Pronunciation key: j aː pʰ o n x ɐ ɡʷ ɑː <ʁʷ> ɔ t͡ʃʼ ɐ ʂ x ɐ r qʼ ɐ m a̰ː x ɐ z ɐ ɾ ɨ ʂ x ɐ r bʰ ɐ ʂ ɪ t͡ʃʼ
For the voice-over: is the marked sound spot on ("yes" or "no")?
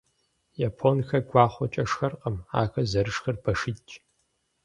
no